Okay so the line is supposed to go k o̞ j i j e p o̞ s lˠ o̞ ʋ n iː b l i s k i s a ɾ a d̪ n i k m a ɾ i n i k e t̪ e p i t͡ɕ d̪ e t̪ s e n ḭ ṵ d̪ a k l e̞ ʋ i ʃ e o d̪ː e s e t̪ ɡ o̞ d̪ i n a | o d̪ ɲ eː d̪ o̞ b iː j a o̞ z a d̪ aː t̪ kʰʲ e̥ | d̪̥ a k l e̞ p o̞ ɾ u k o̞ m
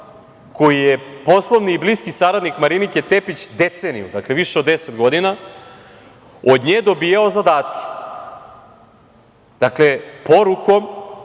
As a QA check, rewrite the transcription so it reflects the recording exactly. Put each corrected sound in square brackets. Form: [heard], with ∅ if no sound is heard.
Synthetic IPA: k o̞ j i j e p o̞ s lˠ o̞ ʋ n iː b l i s k i s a ɾ a d̪ n i k m a ɾ i n i k e t̪ e p i t͡ɕ d̪ e t̪ s e n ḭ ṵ d̪ a k l e̞ ʋ i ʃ e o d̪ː e s e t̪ ɡ o̞ d̪ i n a | o d̪ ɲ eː d̪ o̞ b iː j a o̞ z a d̪ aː t̪ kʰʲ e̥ | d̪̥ a k l e̞ p o̞ ɾ u k o̞ m

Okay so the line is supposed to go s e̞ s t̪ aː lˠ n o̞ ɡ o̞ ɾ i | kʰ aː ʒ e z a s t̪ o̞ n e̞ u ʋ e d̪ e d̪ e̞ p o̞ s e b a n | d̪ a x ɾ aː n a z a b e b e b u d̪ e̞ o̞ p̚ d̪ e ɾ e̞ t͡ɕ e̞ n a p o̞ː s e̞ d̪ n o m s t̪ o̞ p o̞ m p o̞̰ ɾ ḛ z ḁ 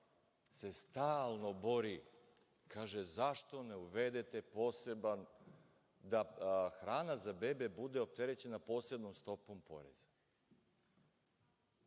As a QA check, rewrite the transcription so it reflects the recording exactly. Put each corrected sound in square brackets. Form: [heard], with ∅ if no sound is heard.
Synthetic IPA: s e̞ s t̪ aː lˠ n o̞ [b] o̞ ɾ i | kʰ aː ʒ e z a [ʃ] t̪ o̞ n e̞ u ʋ e d̪ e [t̪] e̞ p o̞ s e b a n | d̪ a x ɾ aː n a z a b e b e b u d̪ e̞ o̞ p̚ [t̪] e ɾ e̞ t͡ɕ e̞ n a p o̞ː s e̞ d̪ n o m s t̪ o̞ p o̞ m p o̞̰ ɾ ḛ z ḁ

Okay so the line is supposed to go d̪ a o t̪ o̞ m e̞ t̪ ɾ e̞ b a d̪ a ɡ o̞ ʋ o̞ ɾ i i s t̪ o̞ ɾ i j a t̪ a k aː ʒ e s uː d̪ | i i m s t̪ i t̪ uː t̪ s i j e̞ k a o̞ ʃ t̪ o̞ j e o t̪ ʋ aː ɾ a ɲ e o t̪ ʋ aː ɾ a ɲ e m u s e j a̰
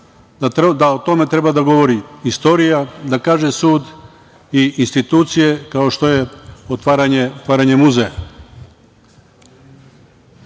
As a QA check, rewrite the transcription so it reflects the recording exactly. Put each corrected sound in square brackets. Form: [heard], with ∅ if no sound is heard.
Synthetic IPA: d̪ a o t̪ o̞ m e̞ t̪ ɾ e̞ b a d̪ a ɡ o̞ ʋ o̞ ɾ i i s t̪ o̞ ɾ i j a [d̪] a k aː ʒ e s uː d̪ | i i [n] s t̪ i t̪ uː t̪ s i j e̞ k a o̞ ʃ t̪ o̞ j e o t̪ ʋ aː ɾ a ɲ e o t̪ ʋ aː ɾ a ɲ e m u [z] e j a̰

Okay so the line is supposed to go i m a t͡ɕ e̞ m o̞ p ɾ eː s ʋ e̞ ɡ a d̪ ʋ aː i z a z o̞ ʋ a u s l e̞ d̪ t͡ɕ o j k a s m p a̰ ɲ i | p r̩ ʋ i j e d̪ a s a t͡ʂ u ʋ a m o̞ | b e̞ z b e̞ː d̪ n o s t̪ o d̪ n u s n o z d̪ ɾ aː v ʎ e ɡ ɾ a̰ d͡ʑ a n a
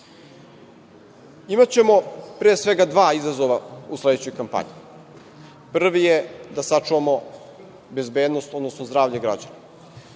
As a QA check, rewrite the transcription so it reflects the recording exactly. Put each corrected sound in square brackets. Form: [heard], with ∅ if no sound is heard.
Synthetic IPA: i m a t͡ɕ e̞ m o̞ p ɾ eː s ʋ e̞ ɡ a d̪ ʋ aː i z a z o̞ ʋ a u s l e̞ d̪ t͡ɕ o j k a [∅] m p a̰ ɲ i | p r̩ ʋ i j e d̪ a s a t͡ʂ u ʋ a m o̞ | b e̞ z b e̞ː d̪ n o s t̪ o d̪ n [o] s n o z d̪ ɾ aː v ʎ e ɡ ɾ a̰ d͡ʑ a n a

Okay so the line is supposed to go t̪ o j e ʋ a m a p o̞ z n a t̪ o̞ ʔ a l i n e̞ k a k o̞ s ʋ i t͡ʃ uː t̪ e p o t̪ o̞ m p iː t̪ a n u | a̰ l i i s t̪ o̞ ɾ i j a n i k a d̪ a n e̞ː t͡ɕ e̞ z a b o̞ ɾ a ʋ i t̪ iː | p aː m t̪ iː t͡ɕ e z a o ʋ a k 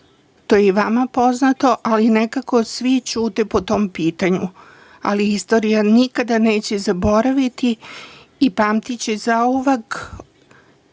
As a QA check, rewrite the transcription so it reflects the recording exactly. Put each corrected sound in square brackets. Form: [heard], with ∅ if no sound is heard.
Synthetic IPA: t̪ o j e ʋ a m a p o̞ z n a t̪ o̞ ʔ a l i n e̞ k a k o̞ s ʋ i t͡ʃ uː t̪ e p o t̪ o̞ m p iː t̪ a [ɲ] u | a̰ l i i s t̪ o̞ ɾ i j a n i k a d̪ a n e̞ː t͡ɕ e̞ z a b o̞ ɾ a ʋ i t̪ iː | p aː m t̪ [i] t͡ɕ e z a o ʋ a k

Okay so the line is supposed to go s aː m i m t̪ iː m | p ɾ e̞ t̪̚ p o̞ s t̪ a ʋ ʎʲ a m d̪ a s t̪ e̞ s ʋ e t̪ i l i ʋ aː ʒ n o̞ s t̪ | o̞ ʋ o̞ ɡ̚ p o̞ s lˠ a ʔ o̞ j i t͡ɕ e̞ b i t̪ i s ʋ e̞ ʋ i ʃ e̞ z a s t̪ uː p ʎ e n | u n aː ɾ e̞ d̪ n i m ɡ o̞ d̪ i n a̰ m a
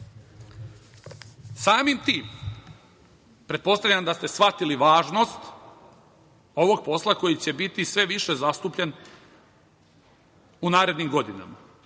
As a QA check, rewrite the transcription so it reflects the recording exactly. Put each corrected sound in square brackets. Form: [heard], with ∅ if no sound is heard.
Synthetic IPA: s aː m i m t̪ iː m | p ɾ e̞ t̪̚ p o̞ s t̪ a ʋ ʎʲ a m d̪ a s t̪ e̞ s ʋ [a] t̪ i l i ʋ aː ʒ n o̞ s t̪ | o̞ ʋ o̞ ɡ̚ p o̞ s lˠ a [k] o̞ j i t͡ɕ e̞ b i t̪ i s ʋ e̞ ʋ i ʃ e̞ z a s t̪ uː p ʎ e n | u n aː ɾ e̞ d̪ n i m ɡ o̞ d̪ i n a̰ m a

